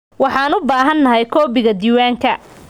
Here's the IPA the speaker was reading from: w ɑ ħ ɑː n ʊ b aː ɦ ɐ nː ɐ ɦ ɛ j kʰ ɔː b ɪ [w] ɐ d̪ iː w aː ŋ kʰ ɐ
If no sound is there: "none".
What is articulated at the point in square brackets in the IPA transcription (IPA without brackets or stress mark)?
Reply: ɣ